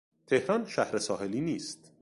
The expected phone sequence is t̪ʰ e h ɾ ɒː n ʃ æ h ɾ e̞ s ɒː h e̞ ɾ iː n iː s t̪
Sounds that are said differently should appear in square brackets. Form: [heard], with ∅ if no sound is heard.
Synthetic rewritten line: t̪ʰ e h ɾ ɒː n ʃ æ h ɾ e̞ s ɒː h e̞ [l] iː n iː s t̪